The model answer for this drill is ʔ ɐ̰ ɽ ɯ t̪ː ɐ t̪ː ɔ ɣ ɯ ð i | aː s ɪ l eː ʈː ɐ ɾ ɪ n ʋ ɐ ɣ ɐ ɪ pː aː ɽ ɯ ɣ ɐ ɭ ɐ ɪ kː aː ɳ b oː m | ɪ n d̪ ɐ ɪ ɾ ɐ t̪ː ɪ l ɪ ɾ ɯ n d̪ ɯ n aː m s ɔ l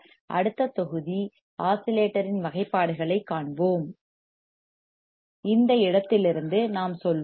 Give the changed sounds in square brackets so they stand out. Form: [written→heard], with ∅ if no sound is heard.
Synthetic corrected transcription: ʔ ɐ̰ ɽ ɯ t̪ː ɐ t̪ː ɔ ɣ ɯ ð i | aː s ɪ l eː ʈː ɐ ɾ ɪ n ʋ ɐ ɣ ɐ ɪ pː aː ɽ ɯ ɣ ɐ ɭ ɐ ɪ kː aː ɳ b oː m | ɪ n d̪ ɐ ɪ [ɾ→ɽ] ɐ t̪ː ɪ l ɪ ɾ ɯ n d̪ ɯ n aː m s ɔ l